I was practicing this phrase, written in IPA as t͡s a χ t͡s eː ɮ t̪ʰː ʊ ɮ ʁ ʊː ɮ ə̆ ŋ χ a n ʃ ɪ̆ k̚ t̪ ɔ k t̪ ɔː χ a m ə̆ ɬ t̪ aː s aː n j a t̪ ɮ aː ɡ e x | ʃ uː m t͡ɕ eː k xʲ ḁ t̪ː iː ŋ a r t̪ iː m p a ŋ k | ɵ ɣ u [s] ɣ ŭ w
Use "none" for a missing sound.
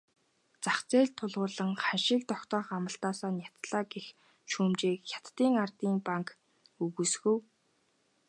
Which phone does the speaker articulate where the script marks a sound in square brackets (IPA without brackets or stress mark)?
s